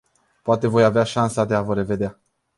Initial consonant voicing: voiceless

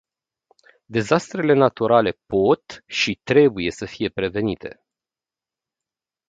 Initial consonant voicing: voiced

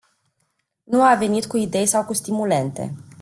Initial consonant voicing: voiced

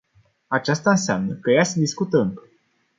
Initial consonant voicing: voiceless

